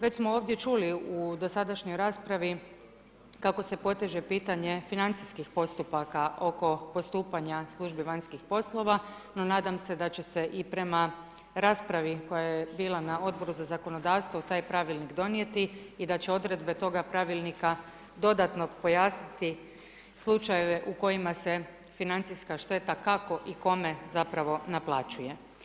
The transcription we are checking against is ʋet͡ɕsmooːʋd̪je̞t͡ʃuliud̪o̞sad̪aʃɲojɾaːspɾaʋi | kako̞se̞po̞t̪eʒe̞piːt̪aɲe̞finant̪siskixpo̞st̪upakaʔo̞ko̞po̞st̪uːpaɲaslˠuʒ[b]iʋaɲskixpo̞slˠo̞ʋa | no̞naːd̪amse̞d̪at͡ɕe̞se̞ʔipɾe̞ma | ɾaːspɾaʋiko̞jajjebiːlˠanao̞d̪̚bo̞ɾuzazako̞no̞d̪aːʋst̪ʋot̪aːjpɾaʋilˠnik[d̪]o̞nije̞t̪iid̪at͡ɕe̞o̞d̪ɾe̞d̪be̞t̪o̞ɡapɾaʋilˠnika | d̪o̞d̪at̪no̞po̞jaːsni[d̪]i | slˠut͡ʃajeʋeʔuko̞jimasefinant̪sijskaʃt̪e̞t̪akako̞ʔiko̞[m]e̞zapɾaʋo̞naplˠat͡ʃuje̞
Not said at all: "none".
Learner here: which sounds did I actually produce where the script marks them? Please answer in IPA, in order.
b, d̪, t̪, m

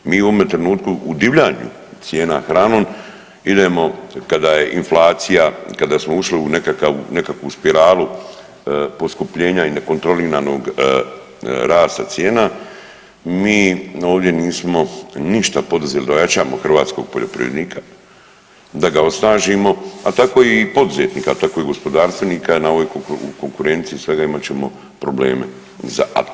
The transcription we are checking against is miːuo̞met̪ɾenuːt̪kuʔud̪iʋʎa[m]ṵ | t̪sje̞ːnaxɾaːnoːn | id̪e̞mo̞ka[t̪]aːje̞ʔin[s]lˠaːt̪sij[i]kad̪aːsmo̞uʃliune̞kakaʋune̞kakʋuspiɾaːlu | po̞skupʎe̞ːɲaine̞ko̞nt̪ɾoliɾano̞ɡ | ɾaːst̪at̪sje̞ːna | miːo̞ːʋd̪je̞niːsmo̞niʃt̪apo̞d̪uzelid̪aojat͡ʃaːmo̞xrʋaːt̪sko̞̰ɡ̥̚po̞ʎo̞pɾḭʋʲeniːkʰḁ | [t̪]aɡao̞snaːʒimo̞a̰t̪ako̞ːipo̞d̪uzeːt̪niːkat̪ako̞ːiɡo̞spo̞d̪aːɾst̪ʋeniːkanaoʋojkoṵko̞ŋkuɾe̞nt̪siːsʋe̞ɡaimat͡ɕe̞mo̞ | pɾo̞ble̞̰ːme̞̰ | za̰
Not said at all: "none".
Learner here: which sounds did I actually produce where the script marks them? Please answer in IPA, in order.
ɲ, d̪, f, a, d̪

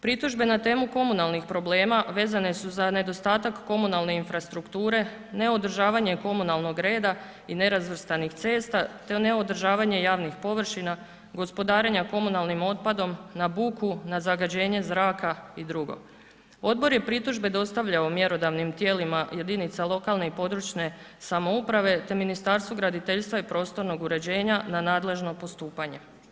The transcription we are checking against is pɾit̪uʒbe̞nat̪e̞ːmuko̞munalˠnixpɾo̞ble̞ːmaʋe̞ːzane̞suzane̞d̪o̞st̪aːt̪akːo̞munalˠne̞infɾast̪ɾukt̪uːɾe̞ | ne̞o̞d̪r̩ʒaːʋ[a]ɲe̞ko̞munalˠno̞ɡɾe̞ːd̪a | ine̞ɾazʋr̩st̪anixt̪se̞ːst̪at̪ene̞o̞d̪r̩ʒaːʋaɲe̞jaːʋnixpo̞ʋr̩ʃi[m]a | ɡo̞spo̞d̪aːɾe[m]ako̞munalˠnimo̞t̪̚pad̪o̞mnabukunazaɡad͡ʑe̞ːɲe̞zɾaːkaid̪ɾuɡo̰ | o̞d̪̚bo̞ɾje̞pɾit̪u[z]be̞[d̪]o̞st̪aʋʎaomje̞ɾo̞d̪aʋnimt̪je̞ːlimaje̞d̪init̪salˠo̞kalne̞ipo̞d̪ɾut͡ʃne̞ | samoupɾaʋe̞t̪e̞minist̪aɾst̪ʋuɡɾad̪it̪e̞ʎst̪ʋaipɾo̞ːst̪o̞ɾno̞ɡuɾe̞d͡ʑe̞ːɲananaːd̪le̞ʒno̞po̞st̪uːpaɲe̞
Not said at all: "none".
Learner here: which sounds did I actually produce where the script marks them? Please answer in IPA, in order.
a, n, ɲ, ʒ, d̪

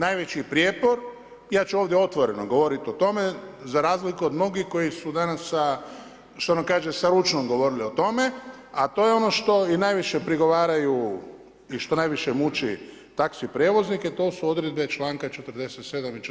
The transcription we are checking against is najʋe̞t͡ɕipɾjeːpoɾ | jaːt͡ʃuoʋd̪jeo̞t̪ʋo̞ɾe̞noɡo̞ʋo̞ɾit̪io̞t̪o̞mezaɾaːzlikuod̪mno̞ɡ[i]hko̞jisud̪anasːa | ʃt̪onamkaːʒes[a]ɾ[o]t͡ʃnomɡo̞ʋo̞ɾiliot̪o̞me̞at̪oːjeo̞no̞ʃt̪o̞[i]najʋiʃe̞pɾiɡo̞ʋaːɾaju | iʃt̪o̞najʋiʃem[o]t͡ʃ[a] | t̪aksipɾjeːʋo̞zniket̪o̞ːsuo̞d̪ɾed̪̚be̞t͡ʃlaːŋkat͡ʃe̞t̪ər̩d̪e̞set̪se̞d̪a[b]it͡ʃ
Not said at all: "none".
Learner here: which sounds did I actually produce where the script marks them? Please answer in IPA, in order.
i, a, u, i, u, i, m

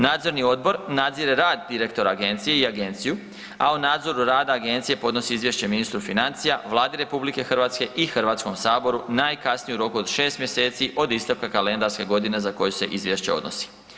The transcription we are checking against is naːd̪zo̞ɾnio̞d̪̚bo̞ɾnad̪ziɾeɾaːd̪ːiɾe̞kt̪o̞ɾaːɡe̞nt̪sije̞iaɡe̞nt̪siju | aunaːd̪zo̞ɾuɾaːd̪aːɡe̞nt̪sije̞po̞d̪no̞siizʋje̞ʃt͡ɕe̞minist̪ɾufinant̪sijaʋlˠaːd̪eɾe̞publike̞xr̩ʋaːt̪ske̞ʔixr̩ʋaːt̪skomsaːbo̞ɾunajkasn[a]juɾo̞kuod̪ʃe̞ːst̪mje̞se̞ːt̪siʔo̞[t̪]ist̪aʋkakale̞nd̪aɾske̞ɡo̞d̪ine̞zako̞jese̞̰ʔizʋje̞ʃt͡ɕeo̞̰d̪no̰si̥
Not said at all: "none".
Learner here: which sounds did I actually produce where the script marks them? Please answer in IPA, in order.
i, d̪

